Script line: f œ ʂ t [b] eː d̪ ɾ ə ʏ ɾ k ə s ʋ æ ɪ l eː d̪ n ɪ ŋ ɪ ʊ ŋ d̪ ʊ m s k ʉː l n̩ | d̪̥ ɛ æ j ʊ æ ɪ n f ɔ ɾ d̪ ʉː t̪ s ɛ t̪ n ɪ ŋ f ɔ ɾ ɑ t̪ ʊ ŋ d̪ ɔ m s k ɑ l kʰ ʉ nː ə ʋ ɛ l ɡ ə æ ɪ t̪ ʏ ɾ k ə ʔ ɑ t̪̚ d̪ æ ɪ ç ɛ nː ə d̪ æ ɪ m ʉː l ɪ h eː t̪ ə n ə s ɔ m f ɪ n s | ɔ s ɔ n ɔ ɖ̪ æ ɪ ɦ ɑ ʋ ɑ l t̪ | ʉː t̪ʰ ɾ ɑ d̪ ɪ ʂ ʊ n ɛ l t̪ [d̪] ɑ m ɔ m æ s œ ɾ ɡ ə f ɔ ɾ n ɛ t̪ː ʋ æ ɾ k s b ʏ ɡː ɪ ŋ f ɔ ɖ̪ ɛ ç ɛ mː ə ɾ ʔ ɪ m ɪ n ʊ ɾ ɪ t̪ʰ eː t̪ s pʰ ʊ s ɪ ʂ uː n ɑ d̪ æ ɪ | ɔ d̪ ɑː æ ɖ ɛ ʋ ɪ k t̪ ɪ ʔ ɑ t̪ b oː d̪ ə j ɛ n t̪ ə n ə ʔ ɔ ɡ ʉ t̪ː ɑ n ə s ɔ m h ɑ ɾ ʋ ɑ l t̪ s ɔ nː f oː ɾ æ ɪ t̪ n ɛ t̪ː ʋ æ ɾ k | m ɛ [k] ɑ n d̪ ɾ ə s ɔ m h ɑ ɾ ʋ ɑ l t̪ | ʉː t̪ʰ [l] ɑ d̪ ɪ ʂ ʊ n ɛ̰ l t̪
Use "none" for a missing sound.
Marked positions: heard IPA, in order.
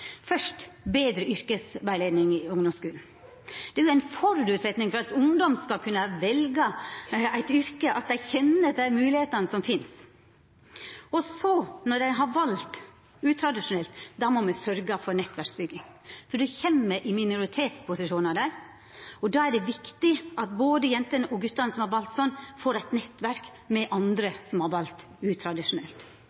b, d̪, ʔ, ɾ

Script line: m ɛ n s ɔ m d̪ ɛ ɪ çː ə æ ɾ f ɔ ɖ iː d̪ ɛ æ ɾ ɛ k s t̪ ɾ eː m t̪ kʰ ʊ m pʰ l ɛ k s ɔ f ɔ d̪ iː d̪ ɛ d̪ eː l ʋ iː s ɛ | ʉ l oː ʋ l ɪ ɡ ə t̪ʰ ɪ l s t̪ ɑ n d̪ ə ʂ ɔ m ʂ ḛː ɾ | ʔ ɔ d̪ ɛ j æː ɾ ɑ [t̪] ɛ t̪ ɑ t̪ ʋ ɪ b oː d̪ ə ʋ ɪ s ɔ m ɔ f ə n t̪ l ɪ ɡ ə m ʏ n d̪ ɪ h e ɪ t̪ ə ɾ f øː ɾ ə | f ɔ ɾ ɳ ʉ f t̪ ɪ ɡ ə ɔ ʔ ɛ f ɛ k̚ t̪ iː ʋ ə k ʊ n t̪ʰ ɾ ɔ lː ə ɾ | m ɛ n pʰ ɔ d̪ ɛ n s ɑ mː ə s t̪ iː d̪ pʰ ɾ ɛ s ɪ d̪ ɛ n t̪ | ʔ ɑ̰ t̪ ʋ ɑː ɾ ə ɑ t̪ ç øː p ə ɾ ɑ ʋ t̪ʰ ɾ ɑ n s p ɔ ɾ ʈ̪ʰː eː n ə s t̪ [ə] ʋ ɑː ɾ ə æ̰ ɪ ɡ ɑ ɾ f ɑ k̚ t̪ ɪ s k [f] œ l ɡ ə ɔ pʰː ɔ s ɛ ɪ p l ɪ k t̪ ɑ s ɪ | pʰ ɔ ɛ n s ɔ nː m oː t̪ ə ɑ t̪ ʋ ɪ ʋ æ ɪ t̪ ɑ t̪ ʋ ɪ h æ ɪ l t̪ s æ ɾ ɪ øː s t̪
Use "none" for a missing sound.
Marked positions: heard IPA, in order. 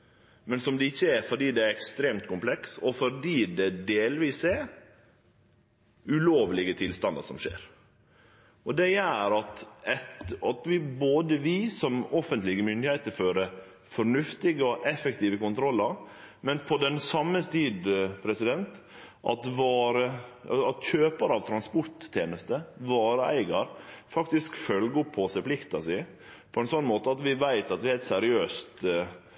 t̪, ə, f

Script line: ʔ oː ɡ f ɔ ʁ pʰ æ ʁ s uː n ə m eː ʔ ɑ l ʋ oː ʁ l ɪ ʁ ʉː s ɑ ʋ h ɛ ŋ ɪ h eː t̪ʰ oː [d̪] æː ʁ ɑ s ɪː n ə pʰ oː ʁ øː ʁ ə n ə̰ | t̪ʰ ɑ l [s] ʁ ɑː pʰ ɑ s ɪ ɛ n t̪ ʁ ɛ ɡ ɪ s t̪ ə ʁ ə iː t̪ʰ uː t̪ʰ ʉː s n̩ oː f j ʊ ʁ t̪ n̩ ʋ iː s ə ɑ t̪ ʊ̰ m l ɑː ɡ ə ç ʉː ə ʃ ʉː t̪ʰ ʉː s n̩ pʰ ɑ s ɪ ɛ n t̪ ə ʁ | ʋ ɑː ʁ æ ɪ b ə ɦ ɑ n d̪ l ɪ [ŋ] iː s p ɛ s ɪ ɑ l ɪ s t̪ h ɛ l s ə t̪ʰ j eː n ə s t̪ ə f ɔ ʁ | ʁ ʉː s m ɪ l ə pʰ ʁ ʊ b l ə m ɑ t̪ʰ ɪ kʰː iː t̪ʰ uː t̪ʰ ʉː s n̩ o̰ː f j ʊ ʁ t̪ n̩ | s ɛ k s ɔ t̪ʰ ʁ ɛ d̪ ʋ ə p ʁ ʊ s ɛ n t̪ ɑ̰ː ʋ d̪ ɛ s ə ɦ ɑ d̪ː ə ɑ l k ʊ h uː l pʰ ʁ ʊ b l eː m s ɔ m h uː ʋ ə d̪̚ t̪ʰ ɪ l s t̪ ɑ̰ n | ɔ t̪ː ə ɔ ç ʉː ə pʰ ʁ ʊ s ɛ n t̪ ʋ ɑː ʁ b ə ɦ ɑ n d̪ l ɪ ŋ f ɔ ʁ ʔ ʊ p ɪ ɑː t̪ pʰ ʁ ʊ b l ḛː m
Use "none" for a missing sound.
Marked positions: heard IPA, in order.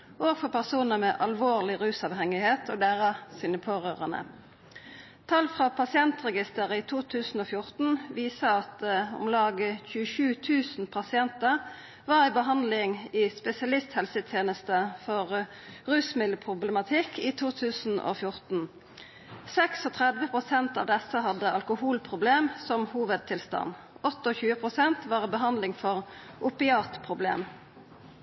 d̪, f, ŋ

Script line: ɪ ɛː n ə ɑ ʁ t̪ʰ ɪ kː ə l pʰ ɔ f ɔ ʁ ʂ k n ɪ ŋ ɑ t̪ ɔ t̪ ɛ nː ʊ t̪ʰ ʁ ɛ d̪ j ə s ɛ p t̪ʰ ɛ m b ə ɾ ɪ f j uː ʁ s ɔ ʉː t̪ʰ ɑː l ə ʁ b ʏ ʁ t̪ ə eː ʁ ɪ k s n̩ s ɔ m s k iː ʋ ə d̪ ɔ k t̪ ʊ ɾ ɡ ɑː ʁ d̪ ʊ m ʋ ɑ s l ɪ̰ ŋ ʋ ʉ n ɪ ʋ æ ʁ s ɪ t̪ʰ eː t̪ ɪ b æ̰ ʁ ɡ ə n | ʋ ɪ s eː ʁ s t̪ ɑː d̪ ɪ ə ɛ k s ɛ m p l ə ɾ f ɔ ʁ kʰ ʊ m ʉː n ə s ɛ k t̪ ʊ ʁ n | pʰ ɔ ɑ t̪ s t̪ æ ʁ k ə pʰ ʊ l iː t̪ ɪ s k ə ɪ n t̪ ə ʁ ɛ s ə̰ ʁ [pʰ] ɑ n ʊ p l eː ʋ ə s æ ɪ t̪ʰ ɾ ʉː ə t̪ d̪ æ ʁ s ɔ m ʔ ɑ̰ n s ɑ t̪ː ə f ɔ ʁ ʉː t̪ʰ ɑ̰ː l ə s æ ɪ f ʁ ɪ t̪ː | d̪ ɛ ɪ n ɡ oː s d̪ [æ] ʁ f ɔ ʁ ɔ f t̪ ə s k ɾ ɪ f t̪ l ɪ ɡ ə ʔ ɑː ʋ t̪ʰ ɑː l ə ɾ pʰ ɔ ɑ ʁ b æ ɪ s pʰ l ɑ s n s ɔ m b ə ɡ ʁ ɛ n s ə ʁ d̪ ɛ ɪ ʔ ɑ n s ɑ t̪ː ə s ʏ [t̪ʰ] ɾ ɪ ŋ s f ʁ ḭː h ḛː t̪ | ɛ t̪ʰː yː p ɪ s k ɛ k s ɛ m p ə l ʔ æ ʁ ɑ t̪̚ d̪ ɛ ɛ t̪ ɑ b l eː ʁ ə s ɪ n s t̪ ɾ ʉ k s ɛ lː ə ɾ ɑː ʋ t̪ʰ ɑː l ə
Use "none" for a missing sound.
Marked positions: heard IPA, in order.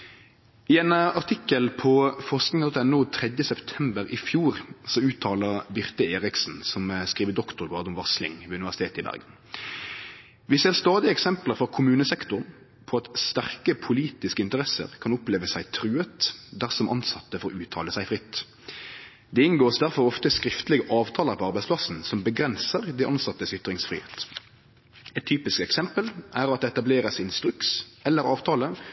kʰ, æ, t̪

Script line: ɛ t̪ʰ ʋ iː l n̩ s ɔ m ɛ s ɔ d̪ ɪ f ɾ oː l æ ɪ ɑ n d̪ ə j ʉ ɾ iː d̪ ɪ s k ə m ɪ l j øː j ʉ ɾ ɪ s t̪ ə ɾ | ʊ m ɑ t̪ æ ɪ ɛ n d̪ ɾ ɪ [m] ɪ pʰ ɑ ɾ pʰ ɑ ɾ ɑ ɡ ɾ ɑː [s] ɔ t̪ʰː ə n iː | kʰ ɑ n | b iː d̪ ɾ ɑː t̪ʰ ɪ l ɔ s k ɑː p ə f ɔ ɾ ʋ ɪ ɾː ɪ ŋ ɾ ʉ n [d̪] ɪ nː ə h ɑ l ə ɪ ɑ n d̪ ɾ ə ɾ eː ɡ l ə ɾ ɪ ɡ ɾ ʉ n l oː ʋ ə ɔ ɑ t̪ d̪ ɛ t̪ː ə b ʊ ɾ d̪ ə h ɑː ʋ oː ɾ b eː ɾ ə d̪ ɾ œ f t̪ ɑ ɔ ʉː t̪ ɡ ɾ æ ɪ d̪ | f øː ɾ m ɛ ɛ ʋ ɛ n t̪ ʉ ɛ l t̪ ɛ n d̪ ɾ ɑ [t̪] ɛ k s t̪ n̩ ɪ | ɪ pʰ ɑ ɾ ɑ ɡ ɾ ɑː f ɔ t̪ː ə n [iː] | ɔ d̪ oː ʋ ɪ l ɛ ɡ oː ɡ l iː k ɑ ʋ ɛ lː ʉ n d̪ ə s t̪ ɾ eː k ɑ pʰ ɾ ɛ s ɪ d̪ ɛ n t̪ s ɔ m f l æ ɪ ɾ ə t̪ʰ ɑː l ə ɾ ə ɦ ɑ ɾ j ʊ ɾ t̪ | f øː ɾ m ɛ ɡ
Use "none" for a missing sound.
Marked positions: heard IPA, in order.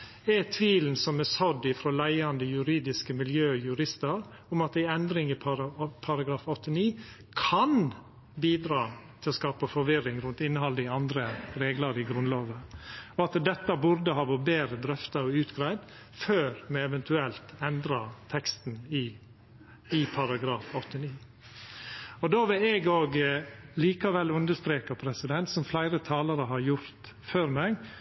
ŋ, f, t̪, t̪ʰ, iː

